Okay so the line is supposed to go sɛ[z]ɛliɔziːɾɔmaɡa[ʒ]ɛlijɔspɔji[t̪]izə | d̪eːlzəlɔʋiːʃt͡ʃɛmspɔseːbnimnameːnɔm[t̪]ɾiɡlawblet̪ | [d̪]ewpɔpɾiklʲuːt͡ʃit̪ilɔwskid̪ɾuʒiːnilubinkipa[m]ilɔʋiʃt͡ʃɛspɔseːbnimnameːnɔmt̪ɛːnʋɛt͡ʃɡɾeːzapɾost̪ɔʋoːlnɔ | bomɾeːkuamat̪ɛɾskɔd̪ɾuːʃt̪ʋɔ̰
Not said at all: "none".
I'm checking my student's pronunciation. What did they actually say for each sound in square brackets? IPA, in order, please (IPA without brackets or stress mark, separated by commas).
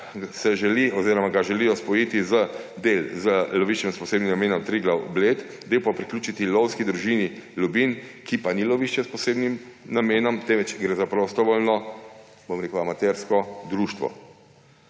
ʒ, ʒ, t̪, t̪, d̪, n